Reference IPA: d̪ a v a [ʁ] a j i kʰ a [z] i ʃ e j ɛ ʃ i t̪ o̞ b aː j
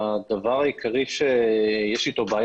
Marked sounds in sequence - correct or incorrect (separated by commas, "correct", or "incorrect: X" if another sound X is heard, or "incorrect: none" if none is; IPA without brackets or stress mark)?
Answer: correct, incorrect: ʁ